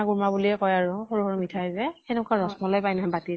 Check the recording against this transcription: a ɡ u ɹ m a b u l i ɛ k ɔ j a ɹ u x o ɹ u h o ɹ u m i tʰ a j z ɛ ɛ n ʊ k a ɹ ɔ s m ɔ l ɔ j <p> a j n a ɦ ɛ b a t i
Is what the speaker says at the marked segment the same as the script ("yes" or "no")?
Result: yes